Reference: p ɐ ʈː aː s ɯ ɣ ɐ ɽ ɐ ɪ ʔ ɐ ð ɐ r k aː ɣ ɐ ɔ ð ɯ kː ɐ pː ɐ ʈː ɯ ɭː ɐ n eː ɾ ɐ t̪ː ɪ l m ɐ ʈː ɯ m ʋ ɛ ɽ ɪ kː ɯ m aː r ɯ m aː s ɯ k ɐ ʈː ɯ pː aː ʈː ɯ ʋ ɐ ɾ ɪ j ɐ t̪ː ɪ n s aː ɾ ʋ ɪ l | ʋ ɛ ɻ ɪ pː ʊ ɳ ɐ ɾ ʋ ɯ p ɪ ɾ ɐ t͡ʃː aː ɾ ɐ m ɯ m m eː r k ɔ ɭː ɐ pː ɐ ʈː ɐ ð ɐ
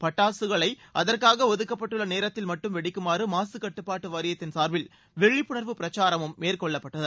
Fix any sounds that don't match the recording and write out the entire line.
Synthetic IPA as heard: p ɐ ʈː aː s ɯ ɣ ɐ ɭ ɐ ɪ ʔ ɐ ð ɐ r k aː ɣ ɐ ɔ ð ɯ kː ɐ pː ɐ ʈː ɯ ɭː ɐ n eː ɾ ɐ t̪ː ɪ l m ɐ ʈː ɯ m ʋ ɛ ɽ ɪ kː ɯ m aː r ɯ m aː s ɯ k ɐ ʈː ɯ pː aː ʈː ɯ ʋ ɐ ɾ ɪ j ɐ t̪ː ɪ n s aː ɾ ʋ ɪ l | ʋ ɛ ɻ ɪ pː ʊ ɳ ɐ ɾ ʋ ɯ p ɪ ɾ ɐ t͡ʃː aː ɾ ɐ m ɯ m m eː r k ɔ ɭː ɐ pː ɐ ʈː ɐ ð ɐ

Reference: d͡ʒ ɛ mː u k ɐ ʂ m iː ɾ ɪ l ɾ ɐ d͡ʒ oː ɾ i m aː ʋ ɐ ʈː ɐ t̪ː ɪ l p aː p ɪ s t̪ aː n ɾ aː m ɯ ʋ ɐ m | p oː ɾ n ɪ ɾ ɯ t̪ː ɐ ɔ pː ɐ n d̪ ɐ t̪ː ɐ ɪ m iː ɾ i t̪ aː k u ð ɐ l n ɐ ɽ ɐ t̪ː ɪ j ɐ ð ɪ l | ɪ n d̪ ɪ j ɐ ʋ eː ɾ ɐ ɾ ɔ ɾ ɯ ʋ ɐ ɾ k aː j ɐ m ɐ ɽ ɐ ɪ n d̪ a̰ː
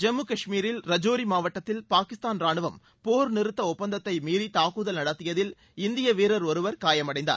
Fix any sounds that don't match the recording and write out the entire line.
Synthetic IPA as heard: d͡ʒ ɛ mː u k ɐ ʂ m iː ɾ ɪ l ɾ ɐ d͡ʒ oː ɾ i m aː ʋ ɐ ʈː ɐ t̪ː ɪ l p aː k ɪ s t̪ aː n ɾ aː ɳ ɯ ʋ ɐ m | p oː ɾ n ɪ ɾ ɯ t̪ː ɐ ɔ pː ɐ n d̪ ɐ t̪ː ɐ ɪ m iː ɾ i t̪ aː k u ð ɐ l n ɐ ɽ ɐ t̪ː ɪ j ɐ ð ɪ l | ɪ n d̪ ɪ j ɐ ʋ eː ɾ ɐ ɾ ɔ ɾ ɯ ʋ ɐ ɾ k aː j ɐ m ɐ ɽ ɐ ɪ n d̪ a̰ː

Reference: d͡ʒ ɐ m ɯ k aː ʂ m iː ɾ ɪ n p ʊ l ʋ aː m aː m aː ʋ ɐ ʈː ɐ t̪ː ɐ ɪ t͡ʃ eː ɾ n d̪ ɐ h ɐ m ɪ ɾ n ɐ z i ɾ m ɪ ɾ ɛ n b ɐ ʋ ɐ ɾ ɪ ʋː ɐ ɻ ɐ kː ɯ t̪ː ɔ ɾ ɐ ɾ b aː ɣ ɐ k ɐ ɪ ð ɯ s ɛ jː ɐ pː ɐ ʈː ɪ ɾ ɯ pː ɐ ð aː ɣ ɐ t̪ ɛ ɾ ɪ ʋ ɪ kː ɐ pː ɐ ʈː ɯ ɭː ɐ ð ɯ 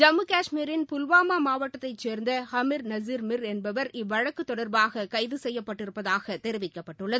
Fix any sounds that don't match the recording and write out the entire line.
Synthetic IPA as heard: d͡ʒ ɐ m ɯ k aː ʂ m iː ɾ ɪ n p ʊ l ʋ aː m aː m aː ʋ ɐ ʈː ɐ t̪ː ɐ ɪ t͡ʃ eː ɾ n d̪ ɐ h ɐ m ɪ ɾ n ɐ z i ɾ m ɪ ɾ ɛ n b ɐ ʋ ɐ ɾ ɪ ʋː ɐ ɻ ɐ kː ɯ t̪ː ɔ ɽ ɐ ɾ b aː ɣ ɐ k ɐ ɪ ð ɯ s ɛ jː ɐ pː ɐ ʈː ɪ ɾ ɯ pː ɐ ð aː ɣ ɐ t̪ ɛ ɾ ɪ ʋ ɪ kː ɐ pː ɐ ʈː ɯ ɭː ɐ ð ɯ

